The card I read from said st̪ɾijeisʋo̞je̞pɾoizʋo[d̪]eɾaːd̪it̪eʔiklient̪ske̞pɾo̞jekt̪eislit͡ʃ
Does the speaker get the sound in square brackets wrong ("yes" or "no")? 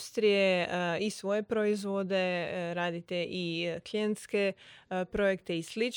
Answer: no